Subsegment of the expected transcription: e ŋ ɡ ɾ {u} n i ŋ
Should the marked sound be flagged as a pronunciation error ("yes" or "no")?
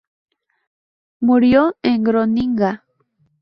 yes